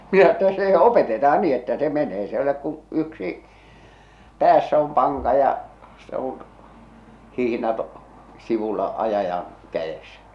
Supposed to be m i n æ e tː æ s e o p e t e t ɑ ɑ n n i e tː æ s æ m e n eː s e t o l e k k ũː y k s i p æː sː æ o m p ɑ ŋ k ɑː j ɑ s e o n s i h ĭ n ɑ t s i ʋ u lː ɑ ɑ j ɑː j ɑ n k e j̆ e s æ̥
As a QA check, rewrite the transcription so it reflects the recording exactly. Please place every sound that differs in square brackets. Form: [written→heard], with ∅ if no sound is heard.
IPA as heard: m i n æ e tː æ s e o p e t e t ɑ ɑ n n i e tː æ s [æ→e] m e n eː s e [t→∅] o l e k k ũː y k s i p æː sː æ o m p ɑ ŋ k [ɑː→ɑ] j ɑ s e o n [s→h] i h ĭ n ɑ t s i ʋ u lː ɑ ɑ j [ɑː→ɑ] j ɑ n k [e→æ] j̆ e s æ̥